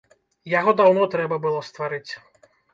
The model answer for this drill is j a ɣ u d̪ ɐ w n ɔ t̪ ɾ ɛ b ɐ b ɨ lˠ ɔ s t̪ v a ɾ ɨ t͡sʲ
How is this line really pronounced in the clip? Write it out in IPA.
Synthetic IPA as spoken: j a ɣ ɔ d̪ a w n ɔ t̪ ɾ ɛ b ɐ b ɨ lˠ ɔ s t̪ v a ɾ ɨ t͡sʲ

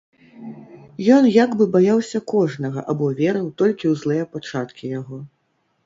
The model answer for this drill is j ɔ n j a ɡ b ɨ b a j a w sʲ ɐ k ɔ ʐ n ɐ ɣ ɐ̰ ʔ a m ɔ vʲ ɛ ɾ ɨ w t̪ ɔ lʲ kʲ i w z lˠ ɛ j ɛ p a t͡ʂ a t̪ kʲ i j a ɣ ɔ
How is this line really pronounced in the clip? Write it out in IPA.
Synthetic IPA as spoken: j ɔ n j a ɡ b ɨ b a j a w sʲ ɐ k ɔ ʐ n ɐ ɣ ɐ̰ ʔ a b ɔ vʲ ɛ ɾ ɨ w t̪ ɔ lʲ kʲ i w z lˠ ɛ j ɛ p a t͡ʂ a t̪ kʲ i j a ɣ ɔ

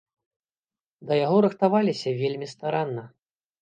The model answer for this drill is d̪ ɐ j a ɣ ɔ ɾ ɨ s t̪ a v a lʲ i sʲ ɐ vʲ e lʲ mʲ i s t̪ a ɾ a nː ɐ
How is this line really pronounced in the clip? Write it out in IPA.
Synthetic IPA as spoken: d̪ ɐ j a ɣ ɔ ɾ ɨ x t̪ a v a lʲ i sʲ ɐ vʲ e lʲ mʲ i s t̪ a ɾ a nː ɐ

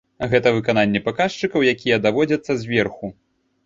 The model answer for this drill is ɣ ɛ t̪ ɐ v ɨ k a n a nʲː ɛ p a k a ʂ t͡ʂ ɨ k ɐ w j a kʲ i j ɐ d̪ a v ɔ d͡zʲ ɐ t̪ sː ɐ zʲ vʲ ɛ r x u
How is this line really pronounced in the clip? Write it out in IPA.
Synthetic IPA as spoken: ɣ ɛ t̪ ɐ v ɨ k a n a nʲː ɛ p a k a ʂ t͡ʂ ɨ k ɐ w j a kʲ i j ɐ d̪ a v ɔ d͡zʲ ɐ t̪ sː ɐ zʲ vʲ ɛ r x u

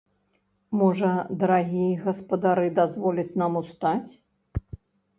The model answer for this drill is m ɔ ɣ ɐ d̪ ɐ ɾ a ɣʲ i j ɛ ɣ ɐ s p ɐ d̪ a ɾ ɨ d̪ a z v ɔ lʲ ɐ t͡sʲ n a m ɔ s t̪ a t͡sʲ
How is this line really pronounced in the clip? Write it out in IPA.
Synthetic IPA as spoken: m ɔ ʐ ɐ d̪ ɐ ɾ a ɣʲ i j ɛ ɣ ɐ s p ɐ d̪ a ɾ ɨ d̪ a z v ɔ lʲ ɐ t͡sʲ n a m u s t̪ a t͡sʲ

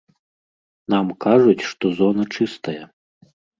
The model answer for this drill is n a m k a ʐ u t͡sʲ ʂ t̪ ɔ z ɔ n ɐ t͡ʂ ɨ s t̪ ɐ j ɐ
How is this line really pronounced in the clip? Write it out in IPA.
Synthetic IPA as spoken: n a m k a ʐ u t͡sʲ ʂ t̪ ɔ z ɔ n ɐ t͡ʂ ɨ s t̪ ɐ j ɐ

